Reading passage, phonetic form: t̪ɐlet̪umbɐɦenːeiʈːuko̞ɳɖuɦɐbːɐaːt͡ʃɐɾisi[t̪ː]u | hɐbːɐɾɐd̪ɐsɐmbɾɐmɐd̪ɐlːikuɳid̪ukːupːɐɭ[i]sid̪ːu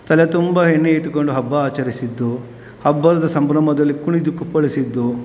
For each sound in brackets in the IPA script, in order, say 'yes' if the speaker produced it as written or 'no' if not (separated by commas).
no, yes